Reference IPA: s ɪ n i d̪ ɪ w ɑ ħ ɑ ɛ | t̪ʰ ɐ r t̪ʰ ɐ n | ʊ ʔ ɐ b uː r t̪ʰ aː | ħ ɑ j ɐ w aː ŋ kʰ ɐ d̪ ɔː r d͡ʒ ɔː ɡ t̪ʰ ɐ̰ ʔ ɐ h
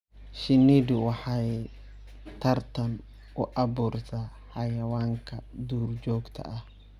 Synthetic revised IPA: ʃ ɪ n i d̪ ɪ w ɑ ħ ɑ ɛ | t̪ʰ ɐ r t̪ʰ ɐ n | ʊ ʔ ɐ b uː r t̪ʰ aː | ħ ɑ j ɐ w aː ŋ kʰ ɐ d̪ uː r d͡ʒ ɔː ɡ t̪ʰ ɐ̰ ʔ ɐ h